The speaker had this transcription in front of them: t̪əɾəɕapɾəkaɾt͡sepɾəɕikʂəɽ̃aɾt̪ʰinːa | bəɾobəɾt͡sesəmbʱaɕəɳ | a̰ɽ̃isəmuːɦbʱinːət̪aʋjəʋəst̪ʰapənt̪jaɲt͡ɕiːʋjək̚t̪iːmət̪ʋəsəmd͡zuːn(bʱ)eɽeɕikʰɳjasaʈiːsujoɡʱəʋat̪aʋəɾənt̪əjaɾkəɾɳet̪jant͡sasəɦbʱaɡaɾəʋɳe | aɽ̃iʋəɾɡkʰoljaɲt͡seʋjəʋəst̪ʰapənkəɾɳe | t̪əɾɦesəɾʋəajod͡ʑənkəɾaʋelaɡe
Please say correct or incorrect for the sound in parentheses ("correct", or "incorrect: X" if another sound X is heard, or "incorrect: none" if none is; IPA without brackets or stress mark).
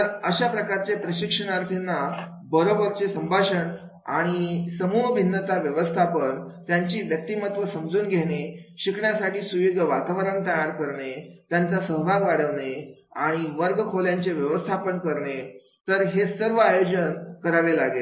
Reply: incorrect: ɡʱ